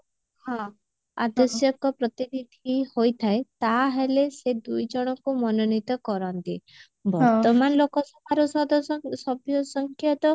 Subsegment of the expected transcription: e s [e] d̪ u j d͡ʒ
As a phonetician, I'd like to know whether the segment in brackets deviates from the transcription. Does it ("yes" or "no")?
no